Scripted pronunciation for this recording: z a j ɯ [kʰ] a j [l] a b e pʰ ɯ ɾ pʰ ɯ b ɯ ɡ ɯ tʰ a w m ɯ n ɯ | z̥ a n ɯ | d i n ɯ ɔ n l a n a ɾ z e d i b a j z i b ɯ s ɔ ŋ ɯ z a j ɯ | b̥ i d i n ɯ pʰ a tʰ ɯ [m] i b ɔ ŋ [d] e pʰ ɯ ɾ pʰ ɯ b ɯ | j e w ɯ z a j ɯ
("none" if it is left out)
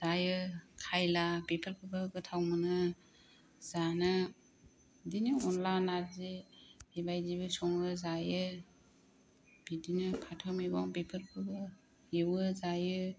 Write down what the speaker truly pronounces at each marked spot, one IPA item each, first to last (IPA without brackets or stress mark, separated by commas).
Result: kʰ, l, m, b